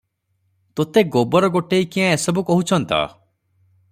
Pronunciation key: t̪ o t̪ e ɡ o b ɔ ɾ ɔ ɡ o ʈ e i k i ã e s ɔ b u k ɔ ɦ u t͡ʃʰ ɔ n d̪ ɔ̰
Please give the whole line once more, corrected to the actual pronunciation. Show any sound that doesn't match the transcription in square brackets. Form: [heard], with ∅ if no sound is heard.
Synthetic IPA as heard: t̪ o t̪ e ɡ o b ɔ ɾ ɔ ɡ o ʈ e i k i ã e s ɔ b u k ɔ ɦ u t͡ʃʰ ɔ n [t̪] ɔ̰

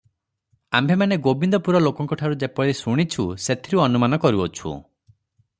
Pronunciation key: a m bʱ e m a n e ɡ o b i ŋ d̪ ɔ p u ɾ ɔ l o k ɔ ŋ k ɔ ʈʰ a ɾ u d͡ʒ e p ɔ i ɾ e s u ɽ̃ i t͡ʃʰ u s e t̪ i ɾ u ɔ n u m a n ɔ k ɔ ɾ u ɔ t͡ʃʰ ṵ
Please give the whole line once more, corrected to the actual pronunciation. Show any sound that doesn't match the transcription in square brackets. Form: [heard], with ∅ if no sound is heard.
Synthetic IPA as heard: a m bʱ e m a n e ɡ o b i [n] d̪ ɔ p u ɾ ɔ l o k ɔ ŋ k ɔ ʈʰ a ɾ u d͡ʒ e p ɔ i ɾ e s u ɽ̃ i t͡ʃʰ u s e [t̪ʰ] i ɾ u ɔ n u m a n ɔ k ɔ ɾ u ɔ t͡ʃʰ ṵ

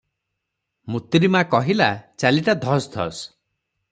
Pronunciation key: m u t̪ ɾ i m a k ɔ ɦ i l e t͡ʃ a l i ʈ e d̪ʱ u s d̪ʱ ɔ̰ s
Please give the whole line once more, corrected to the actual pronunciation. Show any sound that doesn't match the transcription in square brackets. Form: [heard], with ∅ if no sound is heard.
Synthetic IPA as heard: m u t̪ ɾ i m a k ɔ ɦ i l [a] t͡ʃ a l i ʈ [a] d̪ʱ [ɔ] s d̪ʱ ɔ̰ s

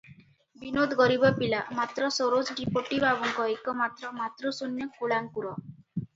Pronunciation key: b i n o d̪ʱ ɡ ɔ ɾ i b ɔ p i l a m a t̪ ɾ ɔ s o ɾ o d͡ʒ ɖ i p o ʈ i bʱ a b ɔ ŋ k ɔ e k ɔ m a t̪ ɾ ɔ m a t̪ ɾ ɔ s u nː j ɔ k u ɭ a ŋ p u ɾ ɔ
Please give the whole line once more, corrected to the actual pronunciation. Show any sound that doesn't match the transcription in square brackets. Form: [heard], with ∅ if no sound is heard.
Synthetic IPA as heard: b i n o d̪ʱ ɡ ɔ ɾ i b ɔ p i l a m a t̪ ɾ ɔ s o ɾ o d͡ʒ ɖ i p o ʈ i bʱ a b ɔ ŋ k ɔ e k ɔ m a t̪ ɾ ɔ m a t̪ ɾ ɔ s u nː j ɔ k u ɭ a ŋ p u ɾ ɔ

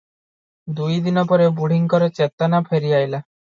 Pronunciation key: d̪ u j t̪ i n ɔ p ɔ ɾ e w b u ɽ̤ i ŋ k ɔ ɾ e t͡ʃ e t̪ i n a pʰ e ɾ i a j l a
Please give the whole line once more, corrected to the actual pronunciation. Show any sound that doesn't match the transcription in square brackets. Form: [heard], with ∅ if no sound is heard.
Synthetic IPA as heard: d̪ u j [d̪] i n ɔ p ɔ ɾ e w b u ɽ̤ i ŋ k ɔ ɾ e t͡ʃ e t̪ [a] n a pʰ e ɾ i a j l a

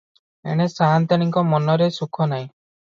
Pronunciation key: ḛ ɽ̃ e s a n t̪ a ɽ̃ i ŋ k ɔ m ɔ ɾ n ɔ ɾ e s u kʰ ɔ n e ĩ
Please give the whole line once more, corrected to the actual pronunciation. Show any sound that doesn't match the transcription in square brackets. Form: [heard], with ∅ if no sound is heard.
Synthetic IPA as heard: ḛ ɽ̃ e s a n t̪ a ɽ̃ i ŋ k ɔ m ɔ [∅] n ɔ ɾ e s u kʰ ɔ n [a] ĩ

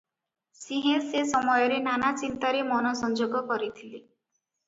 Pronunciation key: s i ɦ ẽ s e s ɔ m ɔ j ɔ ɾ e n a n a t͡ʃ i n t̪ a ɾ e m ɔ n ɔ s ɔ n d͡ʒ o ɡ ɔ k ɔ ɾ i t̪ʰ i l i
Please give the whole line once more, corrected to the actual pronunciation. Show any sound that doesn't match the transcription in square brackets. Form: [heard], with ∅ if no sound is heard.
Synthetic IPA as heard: s i ɦ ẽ s e s ɔ m ɔ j ɔ ɾ e n a n a t͡ʃ i n t̪ a ɾ e m ɔ n ɔ s ɔ n d͡ʒ o ɡ ɔ k ɔ ɾ i t̪ʰ i l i

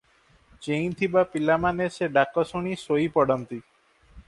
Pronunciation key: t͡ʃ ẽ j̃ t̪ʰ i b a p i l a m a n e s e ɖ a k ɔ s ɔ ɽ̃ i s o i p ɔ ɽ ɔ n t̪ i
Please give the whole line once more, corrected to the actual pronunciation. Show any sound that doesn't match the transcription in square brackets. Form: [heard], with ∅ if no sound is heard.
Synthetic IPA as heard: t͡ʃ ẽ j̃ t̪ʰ i b a p i l a m a n e s e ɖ a k ɔ s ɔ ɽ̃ i s o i p ɔ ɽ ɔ n t̪ i

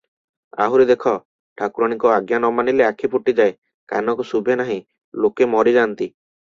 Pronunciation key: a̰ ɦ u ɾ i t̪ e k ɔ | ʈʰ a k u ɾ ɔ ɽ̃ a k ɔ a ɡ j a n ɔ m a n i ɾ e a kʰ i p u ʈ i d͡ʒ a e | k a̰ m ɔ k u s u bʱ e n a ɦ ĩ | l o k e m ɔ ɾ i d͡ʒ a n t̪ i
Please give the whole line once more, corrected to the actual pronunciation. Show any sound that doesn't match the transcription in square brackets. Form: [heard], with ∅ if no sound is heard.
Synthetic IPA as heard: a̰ ɦ u ɾ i [d̪] e [kʰ] ɔ | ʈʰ a k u ɾ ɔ ɽ̃ [i] k ɔ a ɡ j a n ɔ m a n i [l] e a kʰ i p u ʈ i d͡ʒ a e | k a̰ [n] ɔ k u s u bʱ e n a ɦ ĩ | l o k e m ɔ ɾ i d͡ʒ a n t̪ i

